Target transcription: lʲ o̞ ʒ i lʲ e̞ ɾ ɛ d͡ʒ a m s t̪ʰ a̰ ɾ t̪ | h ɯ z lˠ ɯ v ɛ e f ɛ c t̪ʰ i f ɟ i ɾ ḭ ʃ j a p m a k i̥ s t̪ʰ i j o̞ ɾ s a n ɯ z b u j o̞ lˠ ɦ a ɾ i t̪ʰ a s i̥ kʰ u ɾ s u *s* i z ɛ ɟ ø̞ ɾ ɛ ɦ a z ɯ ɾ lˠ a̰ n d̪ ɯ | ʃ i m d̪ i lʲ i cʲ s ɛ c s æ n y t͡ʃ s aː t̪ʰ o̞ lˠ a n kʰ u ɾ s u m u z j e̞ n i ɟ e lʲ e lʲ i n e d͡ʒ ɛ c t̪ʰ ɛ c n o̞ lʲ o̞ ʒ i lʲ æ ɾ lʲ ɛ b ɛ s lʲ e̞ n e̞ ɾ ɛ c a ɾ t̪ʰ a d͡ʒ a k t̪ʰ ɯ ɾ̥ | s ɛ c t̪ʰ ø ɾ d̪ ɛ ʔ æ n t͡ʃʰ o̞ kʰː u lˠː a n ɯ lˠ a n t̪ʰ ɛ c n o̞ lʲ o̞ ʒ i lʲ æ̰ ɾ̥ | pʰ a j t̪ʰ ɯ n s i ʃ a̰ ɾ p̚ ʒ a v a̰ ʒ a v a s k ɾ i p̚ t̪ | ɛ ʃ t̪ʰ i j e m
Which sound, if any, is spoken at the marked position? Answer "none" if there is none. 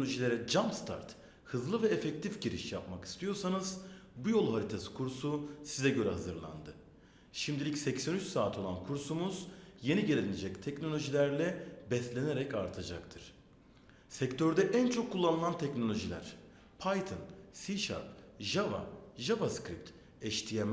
s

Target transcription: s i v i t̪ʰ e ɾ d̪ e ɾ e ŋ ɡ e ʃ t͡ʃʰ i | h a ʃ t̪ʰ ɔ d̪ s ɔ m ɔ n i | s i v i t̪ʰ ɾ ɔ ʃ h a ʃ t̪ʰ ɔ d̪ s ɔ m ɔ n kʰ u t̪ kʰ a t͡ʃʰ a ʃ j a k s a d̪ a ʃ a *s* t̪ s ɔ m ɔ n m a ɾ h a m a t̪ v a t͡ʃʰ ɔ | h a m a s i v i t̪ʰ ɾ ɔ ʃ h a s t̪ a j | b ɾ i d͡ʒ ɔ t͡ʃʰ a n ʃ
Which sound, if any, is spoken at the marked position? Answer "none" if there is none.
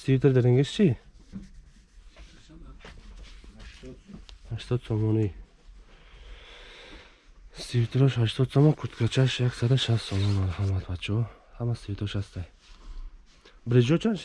s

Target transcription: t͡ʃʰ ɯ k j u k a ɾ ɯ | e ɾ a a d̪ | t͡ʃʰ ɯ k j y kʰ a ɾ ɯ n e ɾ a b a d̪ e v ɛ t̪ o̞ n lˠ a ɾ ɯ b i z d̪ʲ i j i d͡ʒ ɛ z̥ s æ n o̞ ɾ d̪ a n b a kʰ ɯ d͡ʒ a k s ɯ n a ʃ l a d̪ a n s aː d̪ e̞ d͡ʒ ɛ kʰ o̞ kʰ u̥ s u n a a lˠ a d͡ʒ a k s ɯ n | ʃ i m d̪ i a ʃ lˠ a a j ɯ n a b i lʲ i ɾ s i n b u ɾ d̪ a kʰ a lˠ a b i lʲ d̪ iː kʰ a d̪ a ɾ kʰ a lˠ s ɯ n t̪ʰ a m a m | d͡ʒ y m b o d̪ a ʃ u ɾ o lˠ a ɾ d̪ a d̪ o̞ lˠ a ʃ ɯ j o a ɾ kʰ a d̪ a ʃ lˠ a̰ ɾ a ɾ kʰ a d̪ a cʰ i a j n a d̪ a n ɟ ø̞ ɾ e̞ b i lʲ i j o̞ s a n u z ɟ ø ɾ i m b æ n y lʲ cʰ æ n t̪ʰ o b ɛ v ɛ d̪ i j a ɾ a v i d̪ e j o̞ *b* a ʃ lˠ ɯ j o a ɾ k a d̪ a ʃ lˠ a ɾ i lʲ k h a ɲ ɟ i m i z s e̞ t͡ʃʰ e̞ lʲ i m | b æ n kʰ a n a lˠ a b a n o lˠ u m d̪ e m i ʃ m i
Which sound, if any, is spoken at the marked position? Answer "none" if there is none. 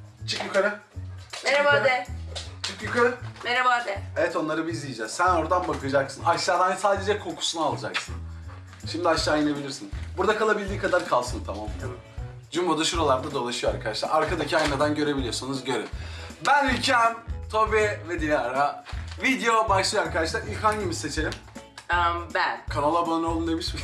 b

